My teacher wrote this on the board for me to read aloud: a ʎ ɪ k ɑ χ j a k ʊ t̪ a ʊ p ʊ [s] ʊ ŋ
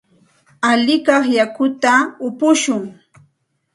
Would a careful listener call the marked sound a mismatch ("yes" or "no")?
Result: yes